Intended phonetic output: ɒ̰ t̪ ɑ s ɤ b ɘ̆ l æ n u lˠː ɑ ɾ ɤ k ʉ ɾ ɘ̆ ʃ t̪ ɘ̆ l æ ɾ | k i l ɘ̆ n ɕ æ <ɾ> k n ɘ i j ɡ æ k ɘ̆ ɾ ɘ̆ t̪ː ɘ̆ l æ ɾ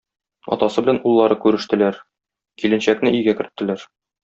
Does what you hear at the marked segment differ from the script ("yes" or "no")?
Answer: yes